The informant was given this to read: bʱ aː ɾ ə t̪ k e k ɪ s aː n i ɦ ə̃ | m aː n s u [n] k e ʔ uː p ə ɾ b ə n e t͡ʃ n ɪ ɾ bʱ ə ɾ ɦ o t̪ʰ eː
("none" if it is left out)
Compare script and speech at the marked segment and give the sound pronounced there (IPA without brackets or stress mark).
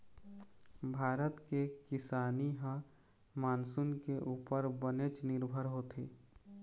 n